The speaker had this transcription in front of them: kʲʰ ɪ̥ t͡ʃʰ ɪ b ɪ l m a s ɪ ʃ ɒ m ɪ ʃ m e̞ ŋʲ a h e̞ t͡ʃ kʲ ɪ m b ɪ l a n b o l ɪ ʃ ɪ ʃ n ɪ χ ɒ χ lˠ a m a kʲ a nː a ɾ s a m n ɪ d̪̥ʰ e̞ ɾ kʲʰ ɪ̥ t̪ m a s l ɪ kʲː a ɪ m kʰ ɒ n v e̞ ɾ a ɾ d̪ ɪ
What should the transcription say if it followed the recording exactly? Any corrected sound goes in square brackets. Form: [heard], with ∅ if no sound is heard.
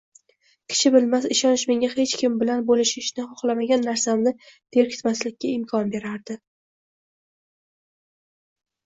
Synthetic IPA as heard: kʲʰ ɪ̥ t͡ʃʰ ɪ b ɪ l m a s ɪ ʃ ɒ [n] ɪ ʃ m e̞ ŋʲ a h e̞ t͡ʃ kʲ ɪ m b ɪ l a n b o l ɪ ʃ ɪ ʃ n ɪ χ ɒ χ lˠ a m a [ɡʲ] a nː a ɾ s a m n ɪ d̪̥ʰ e̞ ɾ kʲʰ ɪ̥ t̪ m a s l ɪ kʲː a ɪ m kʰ ɒ n [b] e̞ ɾ a ɾ d̪ ɪ